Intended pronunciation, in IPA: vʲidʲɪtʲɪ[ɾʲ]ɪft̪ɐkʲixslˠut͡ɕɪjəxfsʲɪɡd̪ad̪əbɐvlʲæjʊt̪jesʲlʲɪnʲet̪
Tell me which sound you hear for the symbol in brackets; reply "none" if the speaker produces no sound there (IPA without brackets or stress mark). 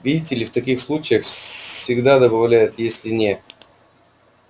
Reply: lʲ